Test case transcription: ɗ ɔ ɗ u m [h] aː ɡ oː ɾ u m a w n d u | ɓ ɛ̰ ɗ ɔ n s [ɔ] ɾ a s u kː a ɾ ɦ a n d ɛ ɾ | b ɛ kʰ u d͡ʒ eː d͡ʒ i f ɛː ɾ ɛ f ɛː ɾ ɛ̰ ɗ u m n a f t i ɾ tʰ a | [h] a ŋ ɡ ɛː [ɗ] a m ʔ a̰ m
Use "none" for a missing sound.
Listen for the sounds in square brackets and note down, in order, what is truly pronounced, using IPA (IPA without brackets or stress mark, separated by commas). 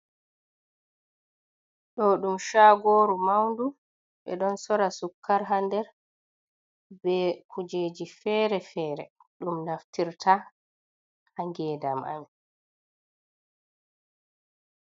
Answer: ʃ, ɔ, h, d